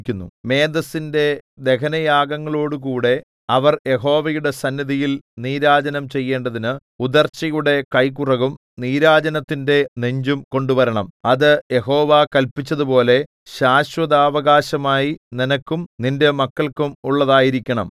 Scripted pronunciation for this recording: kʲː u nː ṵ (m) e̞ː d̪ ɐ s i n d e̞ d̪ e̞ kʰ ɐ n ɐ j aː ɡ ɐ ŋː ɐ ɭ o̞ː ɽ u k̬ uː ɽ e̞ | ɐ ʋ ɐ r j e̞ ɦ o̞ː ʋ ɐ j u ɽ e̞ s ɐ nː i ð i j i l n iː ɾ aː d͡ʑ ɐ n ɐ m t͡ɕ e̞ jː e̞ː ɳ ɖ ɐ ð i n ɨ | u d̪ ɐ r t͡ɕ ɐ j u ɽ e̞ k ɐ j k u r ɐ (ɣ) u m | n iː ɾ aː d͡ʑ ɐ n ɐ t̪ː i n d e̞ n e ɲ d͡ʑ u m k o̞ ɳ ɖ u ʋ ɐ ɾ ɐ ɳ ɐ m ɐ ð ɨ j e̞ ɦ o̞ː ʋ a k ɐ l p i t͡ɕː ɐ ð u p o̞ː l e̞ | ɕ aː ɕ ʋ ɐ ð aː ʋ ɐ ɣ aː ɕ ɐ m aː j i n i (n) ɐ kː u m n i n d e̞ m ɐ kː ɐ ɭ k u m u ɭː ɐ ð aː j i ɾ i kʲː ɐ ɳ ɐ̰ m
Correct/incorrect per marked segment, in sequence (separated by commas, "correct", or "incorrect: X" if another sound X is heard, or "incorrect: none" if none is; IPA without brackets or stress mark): correct, correct, correct